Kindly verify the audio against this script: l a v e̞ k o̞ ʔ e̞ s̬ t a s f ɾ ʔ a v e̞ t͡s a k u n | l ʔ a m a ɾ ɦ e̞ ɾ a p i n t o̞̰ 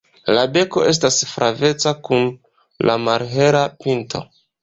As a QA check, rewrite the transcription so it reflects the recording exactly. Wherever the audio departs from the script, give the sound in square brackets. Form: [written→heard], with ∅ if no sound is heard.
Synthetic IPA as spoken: l a [v→b] e̞ k o̞ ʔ e̞ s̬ t a s f ɾ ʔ a v e̞ t͡s a k u n | l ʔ a m a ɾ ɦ e̞ ɾ a p i n t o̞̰